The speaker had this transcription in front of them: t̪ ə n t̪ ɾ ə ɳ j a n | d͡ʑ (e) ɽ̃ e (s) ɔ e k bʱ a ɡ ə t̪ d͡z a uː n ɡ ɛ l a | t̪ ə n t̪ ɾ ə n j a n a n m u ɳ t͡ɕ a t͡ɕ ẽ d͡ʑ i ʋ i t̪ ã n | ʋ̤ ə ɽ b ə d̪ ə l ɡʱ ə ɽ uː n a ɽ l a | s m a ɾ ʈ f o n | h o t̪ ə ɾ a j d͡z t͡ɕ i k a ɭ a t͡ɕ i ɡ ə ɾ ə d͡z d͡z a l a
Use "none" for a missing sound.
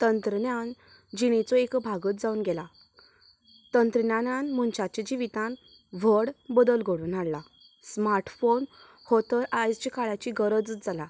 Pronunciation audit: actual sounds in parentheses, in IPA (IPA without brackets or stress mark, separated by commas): i, t͡s